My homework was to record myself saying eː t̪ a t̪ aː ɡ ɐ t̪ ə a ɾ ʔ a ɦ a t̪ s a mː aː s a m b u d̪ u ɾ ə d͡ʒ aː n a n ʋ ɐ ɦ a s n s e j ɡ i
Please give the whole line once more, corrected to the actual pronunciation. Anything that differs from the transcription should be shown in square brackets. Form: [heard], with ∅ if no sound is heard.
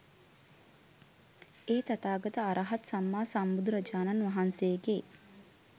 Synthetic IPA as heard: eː t̪ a t̪ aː ɡ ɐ t̪ ə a ɾ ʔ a ɦ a t̪ s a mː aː s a m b u d̪ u ɾ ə d͡ʒ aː n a n ʋ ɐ ɦ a [∅] n s e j ɡ [e]